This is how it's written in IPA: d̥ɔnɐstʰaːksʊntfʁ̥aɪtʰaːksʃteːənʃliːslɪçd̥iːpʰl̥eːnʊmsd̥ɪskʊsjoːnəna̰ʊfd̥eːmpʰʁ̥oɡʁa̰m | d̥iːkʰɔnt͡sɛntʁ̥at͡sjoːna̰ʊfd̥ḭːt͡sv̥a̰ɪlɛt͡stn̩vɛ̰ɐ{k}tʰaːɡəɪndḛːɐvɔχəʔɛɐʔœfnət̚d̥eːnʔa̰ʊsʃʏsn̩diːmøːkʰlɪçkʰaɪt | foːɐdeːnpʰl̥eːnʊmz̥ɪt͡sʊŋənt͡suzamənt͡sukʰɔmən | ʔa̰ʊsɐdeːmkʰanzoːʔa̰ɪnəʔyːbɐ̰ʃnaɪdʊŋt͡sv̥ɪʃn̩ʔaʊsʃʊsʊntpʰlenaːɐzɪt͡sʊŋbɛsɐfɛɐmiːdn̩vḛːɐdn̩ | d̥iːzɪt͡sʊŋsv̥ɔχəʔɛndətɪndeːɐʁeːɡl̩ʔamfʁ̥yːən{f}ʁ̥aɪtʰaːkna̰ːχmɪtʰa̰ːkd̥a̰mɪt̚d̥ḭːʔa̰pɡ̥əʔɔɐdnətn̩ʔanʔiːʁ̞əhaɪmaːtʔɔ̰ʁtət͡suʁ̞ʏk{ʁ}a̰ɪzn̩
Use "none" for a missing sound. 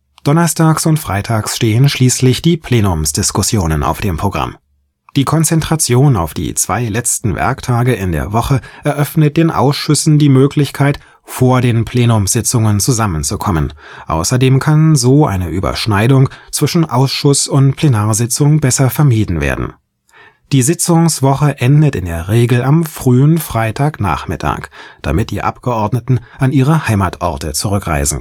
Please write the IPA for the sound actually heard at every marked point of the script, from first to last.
k, f, ʁ

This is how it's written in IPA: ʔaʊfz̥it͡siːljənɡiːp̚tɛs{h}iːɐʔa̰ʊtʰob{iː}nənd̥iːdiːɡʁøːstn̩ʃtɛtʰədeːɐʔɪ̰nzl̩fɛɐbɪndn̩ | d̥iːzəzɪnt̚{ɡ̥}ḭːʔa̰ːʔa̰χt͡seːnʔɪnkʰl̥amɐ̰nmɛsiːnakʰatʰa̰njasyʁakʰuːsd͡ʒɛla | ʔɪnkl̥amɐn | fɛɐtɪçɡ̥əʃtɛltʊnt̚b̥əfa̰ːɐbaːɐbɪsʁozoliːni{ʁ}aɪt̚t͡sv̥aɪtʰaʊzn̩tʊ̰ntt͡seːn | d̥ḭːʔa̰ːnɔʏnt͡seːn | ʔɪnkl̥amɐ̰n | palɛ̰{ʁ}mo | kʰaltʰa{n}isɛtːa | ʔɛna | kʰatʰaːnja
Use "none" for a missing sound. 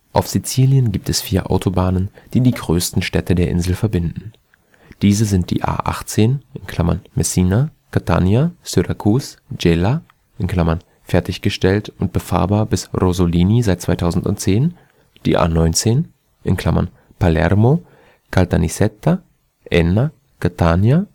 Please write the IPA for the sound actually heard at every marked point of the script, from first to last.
f, aː, d̥, z, ʁ, n

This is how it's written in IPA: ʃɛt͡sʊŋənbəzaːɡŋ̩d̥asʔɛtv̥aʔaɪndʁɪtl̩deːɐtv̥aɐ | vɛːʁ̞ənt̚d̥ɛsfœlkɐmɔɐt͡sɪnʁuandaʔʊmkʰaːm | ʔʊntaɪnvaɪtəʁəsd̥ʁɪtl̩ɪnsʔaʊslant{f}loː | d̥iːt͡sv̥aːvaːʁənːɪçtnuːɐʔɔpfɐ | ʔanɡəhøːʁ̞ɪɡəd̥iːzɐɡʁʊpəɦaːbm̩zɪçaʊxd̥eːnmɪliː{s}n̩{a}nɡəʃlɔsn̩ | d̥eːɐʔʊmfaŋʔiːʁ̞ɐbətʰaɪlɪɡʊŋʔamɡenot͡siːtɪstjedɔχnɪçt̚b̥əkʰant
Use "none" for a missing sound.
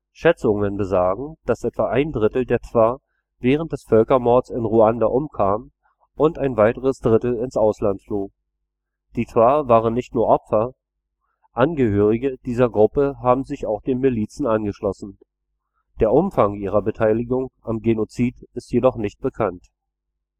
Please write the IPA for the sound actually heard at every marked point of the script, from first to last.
f, t͡s, a

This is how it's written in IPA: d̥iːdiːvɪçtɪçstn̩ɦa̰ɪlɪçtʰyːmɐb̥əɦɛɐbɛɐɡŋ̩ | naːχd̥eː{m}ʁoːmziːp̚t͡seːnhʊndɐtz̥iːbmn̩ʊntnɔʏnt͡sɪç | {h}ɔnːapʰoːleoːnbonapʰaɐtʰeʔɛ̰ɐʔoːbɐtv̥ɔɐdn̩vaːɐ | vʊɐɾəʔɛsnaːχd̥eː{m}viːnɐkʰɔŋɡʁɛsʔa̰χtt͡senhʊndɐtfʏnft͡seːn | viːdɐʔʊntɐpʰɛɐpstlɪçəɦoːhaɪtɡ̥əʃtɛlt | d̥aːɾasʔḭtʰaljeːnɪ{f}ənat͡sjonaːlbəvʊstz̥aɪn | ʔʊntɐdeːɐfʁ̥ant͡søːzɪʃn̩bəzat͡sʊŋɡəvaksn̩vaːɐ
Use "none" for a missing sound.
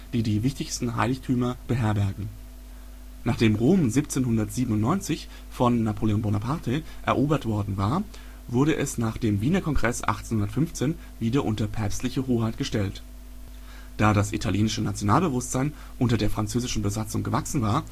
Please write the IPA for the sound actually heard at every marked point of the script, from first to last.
m, f, m, ʃ

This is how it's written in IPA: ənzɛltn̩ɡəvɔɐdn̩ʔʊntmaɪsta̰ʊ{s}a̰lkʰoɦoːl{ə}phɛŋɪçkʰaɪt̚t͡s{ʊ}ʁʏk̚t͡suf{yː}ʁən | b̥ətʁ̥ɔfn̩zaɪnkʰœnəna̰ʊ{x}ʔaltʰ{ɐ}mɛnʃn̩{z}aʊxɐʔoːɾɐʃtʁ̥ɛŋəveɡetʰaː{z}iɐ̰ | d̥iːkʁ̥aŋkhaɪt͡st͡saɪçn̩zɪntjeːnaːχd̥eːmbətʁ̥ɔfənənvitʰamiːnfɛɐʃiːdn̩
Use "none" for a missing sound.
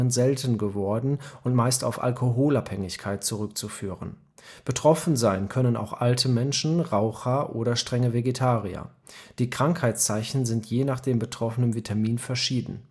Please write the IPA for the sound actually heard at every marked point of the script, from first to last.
f, a, u, yː, x, ə, ʁ, ʁ

